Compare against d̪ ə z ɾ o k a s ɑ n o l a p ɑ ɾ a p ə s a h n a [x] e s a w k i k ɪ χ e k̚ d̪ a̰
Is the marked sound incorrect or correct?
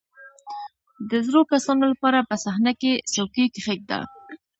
incorrect: k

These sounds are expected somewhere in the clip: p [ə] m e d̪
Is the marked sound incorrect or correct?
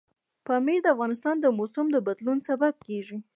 incorrect: ɑ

